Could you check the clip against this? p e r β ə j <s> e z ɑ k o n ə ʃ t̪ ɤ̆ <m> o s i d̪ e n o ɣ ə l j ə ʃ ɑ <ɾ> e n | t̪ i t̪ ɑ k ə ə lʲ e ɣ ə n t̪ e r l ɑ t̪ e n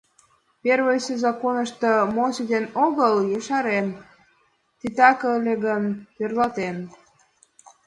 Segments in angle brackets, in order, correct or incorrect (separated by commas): correct, correct, correct